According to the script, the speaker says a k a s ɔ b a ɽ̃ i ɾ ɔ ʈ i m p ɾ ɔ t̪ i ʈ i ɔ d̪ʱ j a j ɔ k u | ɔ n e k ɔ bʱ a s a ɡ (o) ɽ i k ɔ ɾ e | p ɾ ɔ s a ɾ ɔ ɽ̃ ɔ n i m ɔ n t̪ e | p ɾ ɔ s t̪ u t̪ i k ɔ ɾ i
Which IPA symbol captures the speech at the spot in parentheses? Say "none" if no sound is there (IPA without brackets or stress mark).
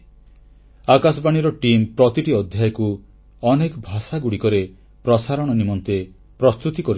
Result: u